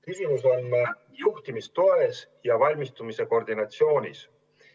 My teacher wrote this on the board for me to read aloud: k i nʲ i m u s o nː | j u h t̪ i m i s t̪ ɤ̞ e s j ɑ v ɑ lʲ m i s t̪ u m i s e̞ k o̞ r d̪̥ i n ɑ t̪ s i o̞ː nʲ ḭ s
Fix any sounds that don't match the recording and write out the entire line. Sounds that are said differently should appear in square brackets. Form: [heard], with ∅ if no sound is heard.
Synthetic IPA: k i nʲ i m u s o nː | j u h t̪ i m i s t̪ [o̞] e s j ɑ v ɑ lʲ m i s t̪ u m i s e̞ k o̞ r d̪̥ i n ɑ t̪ s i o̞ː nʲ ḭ s